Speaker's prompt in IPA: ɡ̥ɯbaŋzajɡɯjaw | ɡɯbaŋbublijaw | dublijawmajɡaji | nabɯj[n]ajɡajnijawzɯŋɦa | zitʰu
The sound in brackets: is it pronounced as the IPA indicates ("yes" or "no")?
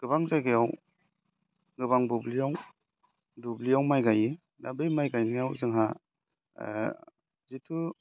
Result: no